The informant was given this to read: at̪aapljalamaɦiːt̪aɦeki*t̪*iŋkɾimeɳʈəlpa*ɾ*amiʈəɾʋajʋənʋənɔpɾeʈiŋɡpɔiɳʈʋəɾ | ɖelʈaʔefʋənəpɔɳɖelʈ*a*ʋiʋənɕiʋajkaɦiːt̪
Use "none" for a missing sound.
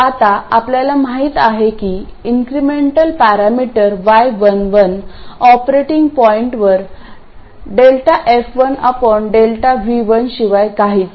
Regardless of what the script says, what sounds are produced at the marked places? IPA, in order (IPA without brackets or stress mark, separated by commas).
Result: none, ɾ, a